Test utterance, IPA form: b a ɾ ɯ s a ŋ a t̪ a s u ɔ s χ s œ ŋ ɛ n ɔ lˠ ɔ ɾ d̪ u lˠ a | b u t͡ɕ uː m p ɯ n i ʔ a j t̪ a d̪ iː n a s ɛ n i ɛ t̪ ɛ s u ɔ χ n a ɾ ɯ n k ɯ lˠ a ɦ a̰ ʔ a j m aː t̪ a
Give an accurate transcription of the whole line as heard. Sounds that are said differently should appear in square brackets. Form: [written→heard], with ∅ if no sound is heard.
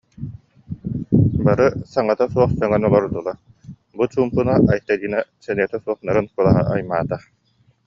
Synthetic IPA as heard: b a ɾ ɯ s a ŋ a t̪ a s u ɔ [s→∅] χ s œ ŋ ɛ n ɔ lˠ ɔ ɾ d̪ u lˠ a | b u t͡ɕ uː m p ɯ n [i→a] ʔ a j t̪ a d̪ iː n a s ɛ n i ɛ t̪ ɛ s u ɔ χ n a ɾ ɯ n k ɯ lˠ a ɦ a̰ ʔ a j m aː t̪ a